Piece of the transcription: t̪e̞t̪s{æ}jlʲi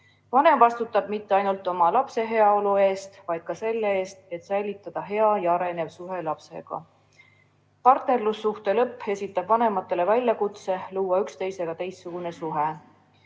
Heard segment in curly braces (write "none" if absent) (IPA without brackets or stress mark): æ